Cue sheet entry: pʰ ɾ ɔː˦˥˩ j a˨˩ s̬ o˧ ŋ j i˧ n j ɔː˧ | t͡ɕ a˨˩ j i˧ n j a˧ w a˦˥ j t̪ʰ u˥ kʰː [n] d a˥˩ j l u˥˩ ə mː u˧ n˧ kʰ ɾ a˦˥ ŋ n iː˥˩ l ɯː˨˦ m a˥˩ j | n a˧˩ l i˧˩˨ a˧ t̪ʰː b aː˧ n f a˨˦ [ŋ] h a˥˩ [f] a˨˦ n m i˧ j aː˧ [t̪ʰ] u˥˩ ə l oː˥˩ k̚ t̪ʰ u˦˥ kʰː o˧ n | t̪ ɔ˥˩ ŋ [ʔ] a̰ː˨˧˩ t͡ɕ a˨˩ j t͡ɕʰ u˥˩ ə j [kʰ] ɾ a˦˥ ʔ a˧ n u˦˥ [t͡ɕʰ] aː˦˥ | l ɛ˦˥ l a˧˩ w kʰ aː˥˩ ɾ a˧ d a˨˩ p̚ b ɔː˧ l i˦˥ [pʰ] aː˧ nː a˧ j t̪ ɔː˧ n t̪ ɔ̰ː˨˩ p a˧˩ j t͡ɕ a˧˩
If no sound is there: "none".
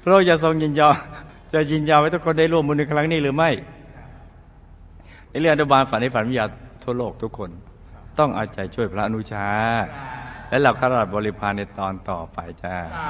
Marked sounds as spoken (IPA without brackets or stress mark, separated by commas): n, n, f, t̪ʰ, ʔ, pʰ, t͡ɕʰ, pʰ